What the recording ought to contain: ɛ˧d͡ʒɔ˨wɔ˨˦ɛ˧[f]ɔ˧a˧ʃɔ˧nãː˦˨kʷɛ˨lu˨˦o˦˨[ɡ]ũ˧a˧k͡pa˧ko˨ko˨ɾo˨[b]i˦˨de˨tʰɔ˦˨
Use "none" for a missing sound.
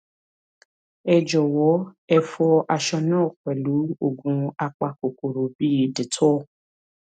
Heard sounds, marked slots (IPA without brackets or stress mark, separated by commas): f, ɡ, b